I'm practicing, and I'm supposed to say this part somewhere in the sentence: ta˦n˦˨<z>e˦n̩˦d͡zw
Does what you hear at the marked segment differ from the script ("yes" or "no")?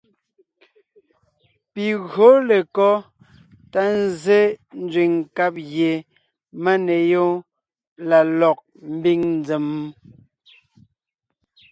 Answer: no